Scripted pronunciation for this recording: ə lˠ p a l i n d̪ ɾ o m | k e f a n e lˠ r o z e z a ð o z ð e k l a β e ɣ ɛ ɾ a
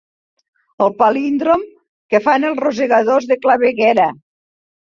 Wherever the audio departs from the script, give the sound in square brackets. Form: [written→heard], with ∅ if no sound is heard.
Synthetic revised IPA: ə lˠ p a l i n d̪ ɾ o m | k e f a n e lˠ r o z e [z→ɣ] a ð o z ð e k l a β e ɣ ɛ ɾ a